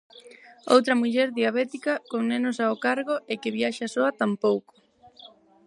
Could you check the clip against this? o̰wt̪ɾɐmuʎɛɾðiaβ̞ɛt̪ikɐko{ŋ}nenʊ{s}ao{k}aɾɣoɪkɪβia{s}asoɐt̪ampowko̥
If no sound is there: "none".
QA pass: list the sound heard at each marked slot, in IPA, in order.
ŋ, s, k, ʃ

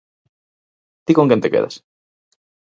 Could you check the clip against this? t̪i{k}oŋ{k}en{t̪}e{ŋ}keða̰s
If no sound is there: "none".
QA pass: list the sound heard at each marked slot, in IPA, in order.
k, k, t̪, none

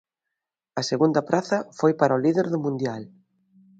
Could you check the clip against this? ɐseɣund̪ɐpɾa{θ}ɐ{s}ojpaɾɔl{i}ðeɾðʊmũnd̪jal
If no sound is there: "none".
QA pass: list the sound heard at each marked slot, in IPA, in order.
θ, f, i

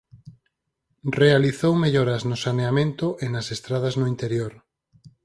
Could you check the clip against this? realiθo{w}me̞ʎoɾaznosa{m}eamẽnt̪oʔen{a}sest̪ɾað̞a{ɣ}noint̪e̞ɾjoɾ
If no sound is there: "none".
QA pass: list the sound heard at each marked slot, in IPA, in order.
w, n, a, z

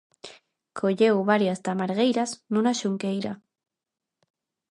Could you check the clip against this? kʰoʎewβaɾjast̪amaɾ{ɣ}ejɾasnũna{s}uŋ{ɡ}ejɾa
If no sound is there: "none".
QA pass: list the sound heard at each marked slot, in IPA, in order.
ɣ, ʃ, k

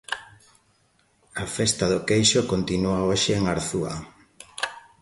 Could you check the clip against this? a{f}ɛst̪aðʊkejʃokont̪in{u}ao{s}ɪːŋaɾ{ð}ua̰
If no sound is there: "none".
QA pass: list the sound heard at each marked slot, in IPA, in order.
f, u, ʃ, θ

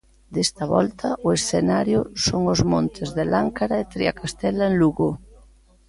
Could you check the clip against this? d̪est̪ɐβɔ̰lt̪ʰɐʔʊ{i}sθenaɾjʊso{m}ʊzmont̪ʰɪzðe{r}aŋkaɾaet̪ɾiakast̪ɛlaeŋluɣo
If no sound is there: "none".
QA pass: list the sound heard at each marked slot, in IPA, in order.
e, ŋ, l

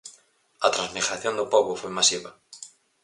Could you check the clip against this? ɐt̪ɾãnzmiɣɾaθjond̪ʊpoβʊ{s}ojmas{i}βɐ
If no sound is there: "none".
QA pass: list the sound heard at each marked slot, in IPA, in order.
f, i

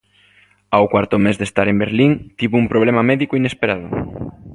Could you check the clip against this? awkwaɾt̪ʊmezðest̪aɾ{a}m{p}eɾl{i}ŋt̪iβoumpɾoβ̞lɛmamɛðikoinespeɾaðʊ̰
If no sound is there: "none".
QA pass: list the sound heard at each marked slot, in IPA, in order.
e, b, i

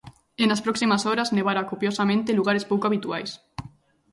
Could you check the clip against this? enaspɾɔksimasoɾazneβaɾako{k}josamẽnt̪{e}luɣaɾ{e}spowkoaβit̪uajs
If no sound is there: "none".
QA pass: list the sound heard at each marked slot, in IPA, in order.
p, e, e

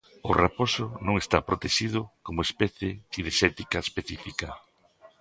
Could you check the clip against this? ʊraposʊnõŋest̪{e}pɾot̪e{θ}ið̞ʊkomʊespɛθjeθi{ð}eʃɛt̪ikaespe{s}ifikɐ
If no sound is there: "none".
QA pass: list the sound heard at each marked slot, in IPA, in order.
a, ʃ, ð, θ

